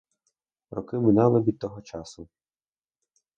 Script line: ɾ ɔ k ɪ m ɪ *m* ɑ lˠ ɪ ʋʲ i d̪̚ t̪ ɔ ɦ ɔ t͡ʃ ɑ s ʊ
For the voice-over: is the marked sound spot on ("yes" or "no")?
no